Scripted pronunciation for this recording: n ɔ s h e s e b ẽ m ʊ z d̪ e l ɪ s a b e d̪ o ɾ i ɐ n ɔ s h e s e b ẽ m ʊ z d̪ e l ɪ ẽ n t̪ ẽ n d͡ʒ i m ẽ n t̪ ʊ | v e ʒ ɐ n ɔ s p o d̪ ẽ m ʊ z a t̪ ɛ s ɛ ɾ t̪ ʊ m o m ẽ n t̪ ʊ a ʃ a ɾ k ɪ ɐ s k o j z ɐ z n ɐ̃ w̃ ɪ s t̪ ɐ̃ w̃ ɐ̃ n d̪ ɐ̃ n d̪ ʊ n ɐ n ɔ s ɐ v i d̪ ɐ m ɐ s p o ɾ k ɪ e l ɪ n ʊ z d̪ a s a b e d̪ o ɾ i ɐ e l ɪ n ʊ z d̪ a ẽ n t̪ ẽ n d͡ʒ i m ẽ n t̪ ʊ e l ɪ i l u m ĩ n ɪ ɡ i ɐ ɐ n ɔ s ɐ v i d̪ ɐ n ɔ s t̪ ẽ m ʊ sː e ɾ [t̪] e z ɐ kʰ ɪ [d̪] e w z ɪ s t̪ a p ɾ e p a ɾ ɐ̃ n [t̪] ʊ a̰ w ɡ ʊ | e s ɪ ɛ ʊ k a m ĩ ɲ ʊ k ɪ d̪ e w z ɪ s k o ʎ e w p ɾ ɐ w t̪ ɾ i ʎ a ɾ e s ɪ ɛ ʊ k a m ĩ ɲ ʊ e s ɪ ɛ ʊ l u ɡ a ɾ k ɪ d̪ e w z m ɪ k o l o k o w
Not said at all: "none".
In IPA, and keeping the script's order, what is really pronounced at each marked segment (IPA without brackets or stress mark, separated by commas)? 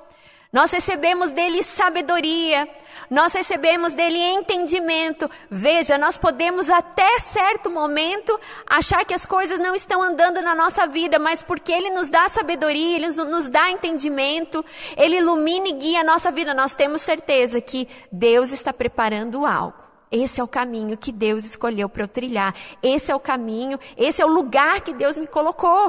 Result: t̪, d̪, d̪